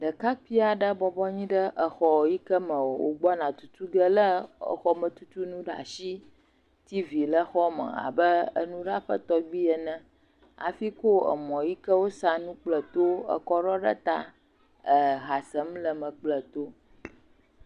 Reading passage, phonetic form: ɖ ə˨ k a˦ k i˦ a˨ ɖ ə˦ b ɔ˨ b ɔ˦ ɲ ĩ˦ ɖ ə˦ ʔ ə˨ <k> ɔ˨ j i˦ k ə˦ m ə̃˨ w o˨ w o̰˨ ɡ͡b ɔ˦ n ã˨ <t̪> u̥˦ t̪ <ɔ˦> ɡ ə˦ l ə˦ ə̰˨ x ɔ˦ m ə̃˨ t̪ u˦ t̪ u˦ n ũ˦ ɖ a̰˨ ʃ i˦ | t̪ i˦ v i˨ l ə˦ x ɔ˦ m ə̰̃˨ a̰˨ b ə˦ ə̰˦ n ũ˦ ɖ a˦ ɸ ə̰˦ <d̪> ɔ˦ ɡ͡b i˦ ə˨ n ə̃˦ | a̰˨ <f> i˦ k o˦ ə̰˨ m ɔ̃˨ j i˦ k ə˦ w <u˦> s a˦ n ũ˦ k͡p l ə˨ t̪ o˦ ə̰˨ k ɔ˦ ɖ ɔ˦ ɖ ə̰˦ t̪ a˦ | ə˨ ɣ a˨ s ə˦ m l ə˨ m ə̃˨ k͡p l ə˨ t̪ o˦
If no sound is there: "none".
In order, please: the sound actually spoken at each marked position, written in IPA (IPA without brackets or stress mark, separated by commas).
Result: x, t̪, u˦, t̪, f, o˦